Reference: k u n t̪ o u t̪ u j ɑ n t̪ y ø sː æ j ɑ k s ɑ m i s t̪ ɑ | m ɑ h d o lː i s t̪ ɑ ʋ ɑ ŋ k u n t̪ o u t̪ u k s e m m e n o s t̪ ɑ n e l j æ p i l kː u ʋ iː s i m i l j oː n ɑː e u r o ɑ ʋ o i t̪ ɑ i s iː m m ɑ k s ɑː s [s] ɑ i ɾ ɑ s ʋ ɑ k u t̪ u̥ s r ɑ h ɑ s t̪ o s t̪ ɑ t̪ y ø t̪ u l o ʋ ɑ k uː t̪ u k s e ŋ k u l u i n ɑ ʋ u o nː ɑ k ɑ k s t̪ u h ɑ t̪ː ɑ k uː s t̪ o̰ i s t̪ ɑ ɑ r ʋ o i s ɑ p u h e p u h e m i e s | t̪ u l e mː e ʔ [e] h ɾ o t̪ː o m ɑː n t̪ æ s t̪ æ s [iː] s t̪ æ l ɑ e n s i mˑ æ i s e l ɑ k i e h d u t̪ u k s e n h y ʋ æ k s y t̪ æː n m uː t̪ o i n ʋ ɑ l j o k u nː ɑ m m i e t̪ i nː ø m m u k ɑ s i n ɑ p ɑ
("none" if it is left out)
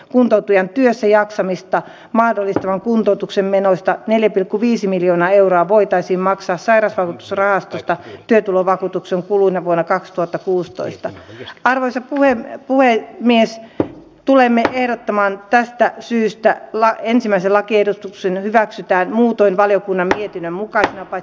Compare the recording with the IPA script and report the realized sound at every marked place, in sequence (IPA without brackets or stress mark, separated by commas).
s, e, yː